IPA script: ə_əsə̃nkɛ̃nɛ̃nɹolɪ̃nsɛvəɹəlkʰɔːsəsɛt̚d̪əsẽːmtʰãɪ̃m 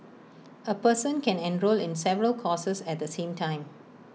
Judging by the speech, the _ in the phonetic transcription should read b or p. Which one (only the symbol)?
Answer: p